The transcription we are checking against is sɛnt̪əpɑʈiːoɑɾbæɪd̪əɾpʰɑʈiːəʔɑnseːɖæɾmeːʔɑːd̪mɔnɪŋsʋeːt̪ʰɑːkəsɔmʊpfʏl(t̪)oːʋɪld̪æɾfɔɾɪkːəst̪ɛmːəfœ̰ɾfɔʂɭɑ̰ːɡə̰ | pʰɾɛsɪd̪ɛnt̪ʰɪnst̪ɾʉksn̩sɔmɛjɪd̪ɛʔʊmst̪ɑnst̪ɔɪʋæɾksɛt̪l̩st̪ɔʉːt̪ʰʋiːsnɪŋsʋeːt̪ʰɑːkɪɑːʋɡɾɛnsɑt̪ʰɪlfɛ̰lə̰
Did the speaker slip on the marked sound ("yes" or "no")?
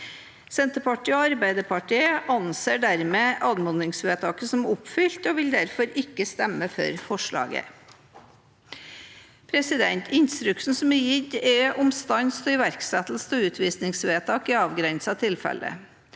no